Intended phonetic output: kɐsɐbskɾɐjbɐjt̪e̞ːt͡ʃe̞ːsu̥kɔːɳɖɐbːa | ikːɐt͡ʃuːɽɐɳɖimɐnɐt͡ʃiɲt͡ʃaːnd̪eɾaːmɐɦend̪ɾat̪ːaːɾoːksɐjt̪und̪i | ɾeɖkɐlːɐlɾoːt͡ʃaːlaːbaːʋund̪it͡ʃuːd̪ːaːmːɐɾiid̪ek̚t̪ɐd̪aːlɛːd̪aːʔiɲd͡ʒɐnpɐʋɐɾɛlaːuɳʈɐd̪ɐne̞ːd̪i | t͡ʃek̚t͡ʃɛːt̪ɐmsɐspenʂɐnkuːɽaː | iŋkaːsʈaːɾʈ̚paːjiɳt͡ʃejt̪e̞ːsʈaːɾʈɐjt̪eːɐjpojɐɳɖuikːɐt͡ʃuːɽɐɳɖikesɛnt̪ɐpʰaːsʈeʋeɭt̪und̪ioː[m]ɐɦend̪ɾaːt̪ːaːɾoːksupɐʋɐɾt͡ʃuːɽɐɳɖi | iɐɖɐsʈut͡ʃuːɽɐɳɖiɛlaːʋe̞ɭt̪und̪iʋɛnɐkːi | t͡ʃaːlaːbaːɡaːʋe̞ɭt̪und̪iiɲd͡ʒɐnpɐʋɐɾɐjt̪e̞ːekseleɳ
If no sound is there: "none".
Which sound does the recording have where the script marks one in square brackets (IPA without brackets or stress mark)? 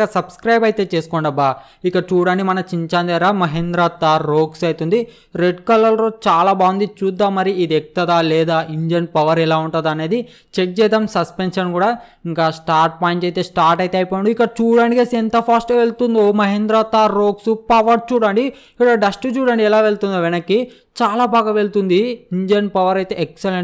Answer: m